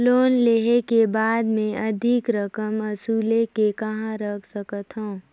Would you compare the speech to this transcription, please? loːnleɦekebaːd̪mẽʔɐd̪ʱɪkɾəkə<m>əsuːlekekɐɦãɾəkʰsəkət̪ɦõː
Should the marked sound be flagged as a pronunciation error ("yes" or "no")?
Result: no